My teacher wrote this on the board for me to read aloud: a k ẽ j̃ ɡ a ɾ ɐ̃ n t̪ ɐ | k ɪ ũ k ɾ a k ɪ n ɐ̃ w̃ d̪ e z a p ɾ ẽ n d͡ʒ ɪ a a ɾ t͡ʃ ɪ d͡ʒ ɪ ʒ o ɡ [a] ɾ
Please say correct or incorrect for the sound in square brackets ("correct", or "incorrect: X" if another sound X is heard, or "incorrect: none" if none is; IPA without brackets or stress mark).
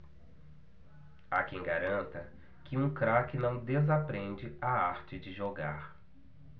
correct